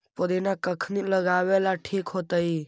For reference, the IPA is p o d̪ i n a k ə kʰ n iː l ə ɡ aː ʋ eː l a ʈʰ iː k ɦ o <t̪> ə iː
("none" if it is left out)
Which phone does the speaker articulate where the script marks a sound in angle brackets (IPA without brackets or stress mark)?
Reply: t̪